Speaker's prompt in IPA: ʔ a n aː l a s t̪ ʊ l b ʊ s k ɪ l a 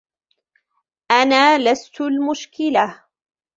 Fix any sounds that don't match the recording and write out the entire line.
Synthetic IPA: ʔ a n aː l a s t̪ ʊ l m ʊ ʃ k ɪ l a